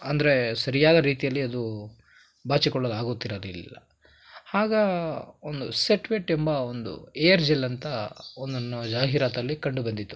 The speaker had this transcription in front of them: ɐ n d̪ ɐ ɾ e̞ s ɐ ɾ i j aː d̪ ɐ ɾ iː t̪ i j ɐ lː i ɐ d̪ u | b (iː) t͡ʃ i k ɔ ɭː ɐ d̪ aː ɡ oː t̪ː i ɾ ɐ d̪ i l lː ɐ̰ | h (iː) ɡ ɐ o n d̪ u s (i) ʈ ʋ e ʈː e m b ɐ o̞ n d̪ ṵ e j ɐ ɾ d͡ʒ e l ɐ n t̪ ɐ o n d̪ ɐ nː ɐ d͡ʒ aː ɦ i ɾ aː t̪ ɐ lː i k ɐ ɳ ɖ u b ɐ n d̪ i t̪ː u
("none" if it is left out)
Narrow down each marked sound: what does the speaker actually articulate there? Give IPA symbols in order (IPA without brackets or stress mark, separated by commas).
aː, aː, e